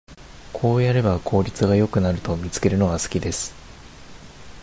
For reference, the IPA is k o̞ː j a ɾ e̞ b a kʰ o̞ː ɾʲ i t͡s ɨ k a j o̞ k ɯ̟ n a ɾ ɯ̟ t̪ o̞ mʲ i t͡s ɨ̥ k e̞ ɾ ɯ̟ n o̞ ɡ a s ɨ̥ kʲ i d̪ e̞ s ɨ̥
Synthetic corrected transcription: kʰ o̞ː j a ɾ e̞ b a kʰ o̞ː ɾʲ i t͡s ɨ ɡ a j o̞ k ɯ̟ n a ɾ ɯ̟ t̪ o̞ mʲ i t͡s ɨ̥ k e̞ ɾ ɯ̟ n o̞ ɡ a s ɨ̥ kʲ i d̪ e̞ s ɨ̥

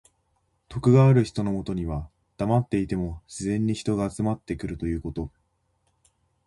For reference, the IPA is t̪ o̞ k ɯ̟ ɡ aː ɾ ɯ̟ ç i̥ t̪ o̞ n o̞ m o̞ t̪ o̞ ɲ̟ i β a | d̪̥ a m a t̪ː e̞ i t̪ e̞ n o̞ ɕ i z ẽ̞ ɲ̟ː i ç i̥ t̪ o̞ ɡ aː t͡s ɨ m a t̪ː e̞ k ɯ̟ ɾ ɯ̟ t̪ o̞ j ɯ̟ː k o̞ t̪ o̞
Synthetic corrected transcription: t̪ o̞ k ɯ̟ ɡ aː ɾ ɯ̟ ç i̥ t̪ o̞ n o̞ m o̞ t̪ o̞ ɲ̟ i β a | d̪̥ a m a t̪ː e̞ i t̪ e̞ m o̞ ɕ i z ẽ̞ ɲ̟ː i ç i̥ t̪ o̞ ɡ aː t͡s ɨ m a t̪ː e̞ k ɯ̟ ɾ ɯ̟ t̪ o̞ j ɯ̟ː k o̞ t̪ o̞

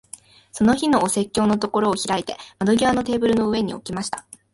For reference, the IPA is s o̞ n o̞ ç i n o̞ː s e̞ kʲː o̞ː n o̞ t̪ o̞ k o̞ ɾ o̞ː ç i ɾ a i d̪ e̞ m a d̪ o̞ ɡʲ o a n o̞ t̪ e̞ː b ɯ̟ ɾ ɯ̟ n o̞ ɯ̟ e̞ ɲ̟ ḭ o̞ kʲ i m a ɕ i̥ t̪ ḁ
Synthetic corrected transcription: s o̞ n o̞ ç i n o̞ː s e̞ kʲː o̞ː n o̞ t̪ o̞ k o̞ ɾ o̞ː ç i ɾ a i t̪ e̞ m a d̪ o̞ ɡʲ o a n o̞ t̪ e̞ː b ɯ̟ ɾ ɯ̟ n o̞ ɯ̟ e̞ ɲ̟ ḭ o̞ kʲ i m a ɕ i̥ t̪ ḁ

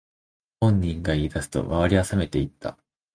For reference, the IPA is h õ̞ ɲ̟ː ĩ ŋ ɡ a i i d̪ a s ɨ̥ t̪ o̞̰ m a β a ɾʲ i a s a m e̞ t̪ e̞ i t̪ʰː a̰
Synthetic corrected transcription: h õ̞ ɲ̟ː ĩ ŋ ɡ a i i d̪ a s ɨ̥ t̪ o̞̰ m a β a ɾʲ i a s a m e̞ t̪ e̞ i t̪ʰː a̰

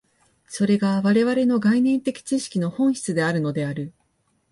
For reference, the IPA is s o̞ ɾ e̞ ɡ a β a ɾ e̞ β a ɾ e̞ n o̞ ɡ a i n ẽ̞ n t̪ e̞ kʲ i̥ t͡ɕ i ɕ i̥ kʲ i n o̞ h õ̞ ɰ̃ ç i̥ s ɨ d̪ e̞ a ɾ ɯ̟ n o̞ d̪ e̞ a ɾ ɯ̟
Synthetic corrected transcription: s o̞ ɾ e̞ ɡ a β a ɾ e̞ β a ɾ e̞ n o̞ ɡ a i n ẽ̞ n t̪ e̞ kʲ i̥ t͡ɕ i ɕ i̥ kʲ i n o̞ h õ̞ ɰ̃ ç i̥ t͡s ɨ d̪ e̞ a ɾ ɯ̟ n o̞ d̪ e̞ a ɾ ɯ̟

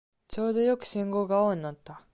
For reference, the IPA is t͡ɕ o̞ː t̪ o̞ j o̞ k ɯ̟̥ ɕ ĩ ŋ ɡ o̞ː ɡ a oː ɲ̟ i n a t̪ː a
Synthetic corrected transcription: t͡ɕ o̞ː d̪ o̞ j o̞ k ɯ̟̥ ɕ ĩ ŋ ɡ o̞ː ɡ a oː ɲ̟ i n a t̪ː a

